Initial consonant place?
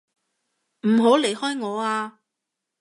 labial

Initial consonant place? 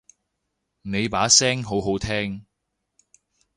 alveolar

